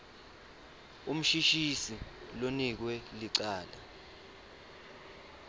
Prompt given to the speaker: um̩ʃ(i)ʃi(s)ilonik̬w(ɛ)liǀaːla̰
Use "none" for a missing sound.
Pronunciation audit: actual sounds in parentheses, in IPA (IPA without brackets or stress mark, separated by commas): i, s, ɛ